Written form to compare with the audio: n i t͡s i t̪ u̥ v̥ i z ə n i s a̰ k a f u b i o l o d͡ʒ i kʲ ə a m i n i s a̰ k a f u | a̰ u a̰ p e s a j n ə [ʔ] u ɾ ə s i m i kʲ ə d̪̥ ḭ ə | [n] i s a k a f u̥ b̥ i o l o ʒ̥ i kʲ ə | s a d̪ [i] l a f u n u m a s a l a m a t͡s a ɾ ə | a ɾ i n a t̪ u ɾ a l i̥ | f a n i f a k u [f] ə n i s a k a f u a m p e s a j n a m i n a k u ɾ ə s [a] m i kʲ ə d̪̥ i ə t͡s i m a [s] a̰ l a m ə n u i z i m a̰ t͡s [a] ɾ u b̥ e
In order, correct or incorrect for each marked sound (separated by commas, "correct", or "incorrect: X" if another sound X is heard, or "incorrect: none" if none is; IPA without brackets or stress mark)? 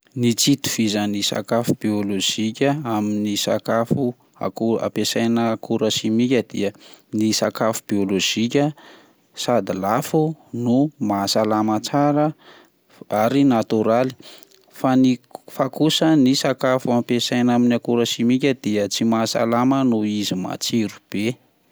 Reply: incorrect: k, correct, correct, incorrect: s, incorrect: i, correct, incorrect: i